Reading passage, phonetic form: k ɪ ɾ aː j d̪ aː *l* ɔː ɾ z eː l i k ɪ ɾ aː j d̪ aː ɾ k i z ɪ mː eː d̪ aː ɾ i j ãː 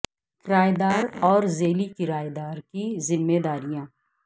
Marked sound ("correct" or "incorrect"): incorrect